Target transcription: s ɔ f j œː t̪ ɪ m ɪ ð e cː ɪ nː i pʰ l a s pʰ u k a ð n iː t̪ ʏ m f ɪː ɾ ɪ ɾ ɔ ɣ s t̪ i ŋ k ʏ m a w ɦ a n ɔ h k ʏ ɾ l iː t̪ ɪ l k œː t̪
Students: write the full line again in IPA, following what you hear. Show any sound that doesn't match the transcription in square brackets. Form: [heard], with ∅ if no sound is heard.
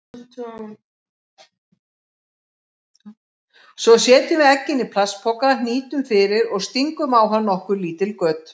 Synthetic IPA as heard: s ɔ [s] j [ɛː] t̪ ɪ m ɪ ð [ɛ] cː ɪ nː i pʰ l a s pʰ [ɔ] k a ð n iː t̪ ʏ m f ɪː ɾ ɪ ɾ ɔ ɣ s t̪ i ŋ k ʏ m a w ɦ a [nː] ɔ h k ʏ ɾ l iː t̪ ɪ l k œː t̪